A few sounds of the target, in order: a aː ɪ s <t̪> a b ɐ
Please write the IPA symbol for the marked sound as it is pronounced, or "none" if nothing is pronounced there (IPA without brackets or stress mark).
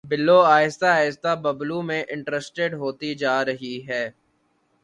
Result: t̪